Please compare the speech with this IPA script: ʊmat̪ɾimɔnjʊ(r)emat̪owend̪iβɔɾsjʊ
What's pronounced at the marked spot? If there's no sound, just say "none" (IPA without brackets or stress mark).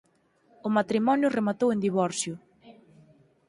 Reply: r